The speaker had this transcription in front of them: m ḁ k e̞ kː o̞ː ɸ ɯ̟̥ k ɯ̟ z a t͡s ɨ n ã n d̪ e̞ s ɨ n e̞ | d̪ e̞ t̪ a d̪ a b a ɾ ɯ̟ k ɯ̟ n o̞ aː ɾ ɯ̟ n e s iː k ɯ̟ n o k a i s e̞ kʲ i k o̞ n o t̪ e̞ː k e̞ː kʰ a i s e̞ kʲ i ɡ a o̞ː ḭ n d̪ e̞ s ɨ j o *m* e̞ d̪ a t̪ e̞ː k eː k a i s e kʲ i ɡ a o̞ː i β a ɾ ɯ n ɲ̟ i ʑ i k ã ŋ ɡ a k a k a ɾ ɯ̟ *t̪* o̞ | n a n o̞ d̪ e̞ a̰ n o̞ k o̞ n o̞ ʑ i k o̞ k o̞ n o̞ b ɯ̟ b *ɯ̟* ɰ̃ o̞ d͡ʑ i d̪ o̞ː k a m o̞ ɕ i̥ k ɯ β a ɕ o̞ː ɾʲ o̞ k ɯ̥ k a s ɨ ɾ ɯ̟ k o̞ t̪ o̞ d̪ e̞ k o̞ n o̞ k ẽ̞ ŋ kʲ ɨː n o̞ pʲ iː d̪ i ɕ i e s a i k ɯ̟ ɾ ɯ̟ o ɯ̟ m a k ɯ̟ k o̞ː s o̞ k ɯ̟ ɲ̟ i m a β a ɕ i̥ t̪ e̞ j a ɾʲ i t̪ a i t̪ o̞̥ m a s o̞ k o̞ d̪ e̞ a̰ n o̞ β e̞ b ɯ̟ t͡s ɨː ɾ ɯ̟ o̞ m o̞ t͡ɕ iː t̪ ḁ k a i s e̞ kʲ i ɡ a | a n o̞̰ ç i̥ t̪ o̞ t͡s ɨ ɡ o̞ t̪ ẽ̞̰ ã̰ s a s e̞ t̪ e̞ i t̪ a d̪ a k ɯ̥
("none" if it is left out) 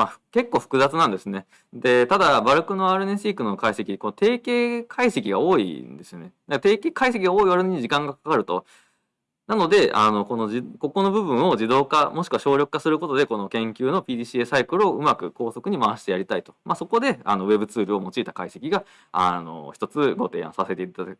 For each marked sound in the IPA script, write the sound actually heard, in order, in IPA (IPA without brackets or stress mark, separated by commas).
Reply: n, t̪, ɯ̟̃